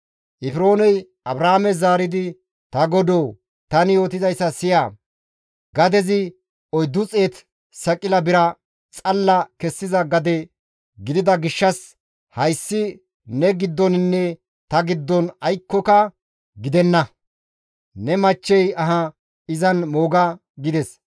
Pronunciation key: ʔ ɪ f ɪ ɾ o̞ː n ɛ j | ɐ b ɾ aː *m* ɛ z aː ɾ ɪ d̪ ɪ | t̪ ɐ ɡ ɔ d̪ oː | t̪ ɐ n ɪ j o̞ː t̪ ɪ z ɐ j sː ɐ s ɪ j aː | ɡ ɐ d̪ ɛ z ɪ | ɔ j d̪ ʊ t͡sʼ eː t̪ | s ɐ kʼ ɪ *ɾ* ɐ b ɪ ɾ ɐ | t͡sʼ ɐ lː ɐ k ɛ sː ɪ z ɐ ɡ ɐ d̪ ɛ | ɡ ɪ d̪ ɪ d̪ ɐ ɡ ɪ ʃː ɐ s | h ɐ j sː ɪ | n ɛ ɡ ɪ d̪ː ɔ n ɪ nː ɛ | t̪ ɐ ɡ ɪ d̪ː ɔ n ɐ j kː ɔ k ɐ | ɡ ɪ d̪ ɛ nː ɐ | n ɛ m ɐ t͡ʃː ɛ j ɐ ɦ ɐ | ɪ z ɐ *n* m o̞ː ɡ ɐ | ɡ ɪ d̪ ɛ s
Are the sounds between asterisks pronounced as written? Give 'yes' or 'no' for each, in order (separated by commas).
yes, no, yes